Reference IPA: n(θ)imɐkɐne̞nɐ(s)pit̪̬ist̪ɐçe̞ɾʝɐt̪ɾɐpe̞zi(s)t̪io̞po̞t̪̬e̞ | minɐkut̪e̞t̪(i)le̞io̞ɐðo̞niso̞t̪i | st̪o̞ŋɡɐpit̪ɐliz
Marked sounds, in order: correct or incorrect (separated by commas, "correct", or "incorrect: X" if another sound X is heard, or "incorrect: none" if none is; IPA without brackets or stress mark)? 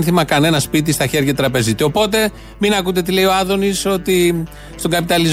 correct, correct, incorrect: none, correct